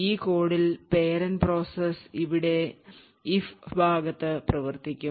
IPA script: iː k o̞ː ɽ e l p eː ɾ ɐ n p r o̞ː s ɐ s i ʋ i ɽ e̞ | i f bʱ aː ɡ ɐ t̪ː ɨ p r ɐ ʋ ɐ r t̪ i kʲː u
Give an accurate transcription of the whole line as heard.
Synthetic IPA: iː k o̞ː ɽ i l p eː ɾ ɐ n p r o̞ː s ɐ s i ʋ i ɽ e̞ | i f bʱ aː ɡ ɐ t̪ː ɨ p r ɐ ʋ ɐ r t̪ i kʲː u